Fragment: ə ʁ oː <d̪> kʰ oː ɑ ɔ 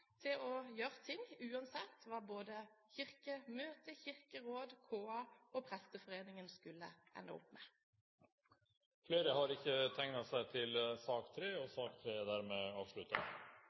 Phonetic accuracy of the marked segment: correct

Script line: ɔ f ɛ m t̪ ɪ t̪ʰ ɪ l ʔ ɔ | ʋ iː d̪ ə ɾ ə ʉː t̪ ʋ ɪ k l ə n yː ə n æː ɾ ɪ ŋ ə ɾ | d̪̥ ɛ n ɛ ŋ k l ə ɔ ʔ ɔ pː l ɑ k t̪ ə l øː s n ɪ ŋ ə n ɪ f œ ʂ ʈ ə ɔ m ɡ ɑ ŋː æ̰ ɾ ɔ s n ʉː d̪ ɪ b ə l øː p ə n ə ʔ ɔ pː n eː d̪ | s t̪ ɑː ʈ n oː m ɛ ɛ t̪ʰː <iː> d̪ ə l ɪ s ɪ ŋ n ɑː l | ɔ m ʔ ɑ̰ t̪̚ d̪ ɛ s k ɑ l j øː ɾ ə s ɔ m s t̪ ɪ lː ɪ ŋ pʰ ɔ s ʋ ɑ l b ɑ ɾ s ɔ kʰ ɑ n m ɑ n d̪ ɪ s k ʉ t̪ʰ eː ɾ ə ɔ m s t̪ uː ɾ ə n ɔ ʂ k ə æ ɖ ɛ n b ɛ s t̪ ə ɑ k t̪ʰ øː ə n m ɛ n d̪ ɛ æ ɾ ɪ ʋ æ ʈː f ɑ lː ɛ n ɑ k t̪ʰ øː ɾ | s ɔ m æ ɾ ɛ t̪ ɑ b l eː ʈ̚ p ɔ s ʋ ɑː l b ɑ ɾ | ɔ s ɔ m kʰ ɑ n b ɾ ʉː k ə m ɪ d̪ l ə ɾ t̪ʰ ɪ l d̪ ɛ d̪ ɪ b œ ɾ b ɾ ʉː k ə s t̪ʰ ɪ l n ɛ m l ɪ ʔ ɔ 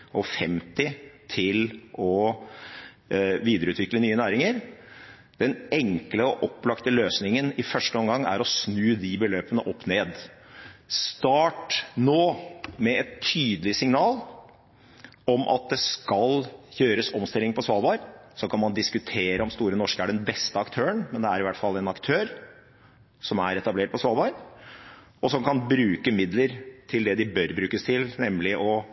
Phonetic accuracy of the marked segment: incorrect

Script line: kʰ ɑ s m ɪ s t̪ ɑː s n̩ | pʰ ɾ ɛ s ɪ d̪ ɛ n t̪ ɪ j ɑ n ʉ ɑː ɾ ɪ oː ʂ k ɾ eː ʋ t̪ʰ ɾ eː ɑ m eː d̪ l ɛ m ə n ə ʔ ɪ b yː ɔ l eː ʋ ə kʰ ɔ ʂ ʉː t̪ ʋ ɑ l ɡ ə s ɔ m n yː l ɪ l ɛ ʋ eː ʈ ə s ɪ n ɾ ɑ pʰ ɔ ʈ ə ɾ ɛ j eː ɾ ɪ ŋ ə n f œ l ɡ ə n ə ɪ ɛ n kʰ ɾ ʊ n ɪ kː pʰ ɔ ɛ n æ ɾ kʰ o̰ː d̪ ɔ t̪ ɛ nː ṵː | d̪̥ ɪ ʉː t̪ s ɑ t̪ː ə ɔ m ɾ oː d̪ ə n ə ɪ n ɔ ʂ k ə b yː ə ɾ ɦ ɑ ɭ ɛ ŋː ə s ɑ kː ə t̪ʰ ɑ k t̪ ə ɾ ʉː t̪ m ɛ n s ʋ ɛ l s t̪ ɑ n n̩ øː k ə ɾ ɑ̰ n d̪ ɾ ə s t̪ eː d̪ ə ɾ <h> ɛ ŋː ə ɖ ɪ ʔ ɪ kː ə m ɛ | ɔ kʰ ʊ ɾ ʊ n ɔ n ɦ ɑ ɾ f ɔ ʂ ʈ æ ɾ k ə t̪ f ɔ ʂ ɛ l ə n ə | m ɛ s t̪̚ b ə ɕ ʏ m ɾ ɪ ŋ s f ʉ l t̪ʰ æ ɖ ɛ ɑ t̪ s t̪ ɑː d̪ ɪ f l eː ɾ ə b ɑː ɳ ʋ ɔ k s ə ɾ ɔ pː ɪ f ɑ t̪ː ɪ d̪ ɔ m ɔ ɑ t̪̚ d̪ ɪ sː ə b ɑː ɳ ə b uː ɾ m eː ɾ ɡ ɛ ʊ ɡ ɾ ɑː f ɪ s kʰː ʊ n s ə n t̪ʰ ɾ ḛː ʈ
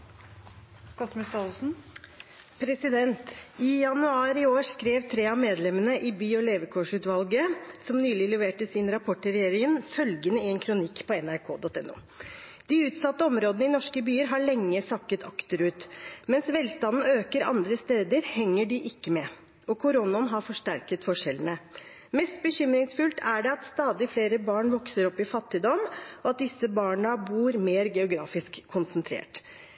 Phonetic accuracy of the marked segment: correct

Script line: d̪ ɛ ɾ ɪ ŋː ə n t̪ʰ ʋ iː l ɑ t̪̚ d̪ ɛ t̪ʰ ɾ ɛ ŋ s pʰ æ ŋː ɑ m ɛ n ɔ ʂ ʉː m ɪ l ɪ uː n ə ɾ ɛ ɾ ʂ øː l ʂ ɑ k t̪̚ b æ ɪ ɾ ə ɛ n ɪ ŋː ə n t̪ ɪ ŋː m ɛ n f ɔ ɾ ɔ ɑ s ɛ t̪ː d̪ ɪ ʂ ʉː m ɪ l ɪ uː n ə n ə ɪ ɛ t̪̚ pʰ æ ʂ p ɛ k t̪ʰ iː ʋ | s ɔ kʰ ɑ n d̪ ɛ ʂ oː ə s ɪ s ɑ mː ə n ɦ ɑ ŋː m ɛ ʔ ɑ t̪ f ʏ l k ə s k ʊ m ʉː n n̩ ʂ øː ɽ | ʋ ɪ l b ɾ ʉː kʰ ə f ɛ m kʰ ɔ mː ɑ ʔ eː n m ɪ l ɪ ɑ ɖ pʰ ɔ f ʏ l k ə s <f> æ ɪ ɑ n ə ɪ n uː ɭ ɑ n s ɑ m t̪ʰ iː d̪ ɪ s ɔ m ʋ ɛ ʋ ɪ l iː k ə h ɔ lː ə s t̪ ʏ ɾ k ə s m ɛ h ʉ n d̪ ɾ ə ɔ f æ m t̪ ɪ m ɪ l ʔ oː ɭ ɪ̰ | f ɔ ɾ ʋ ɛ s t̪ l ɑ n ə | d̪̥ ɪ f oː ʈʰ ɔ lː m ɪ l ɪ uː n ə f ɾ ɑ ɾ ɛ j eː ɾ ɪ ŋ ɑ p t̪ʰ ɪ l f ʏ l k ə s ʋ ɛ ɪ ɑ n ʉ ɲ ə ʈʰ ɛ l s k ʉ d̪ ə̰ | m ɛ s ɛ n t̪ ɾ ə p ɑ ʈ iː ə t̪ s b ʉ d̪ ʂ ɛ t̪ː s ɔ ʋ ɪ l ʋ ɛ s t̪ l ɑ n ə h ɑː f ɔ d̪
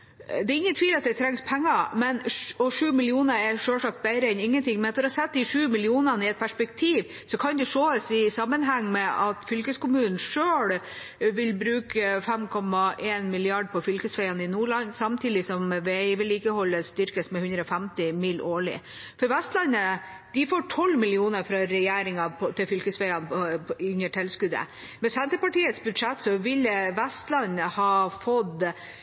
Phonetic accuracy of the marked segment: correct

